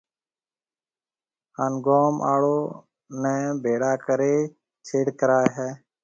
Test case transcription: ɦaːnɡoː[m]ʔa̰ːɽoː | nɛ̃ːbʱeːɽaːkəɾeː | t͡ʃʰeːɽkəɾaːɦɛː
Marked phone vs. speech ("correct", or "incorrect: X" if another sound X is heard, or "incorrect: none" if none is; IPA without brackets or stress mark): correct